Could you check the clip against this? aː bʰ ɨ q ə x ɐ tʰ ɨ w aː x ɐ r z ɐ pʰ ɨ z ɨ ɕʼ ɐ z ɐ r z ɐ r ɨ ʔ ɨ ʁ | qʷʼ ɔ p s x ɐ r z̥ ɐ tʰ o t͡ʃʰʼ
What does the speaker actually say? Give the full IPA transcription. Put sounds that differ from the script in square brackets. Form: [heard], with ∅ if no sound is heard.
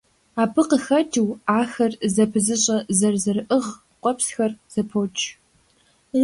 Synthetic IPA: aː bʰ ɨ q ə x ɐ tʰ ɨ w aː x ɐ r z ɐ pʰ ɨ z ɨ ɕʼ ɐ z ɐ r z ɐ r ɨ ʔ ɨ ʁ | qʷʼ ɔ p s x ɐ r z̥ ɐ [pʰ] o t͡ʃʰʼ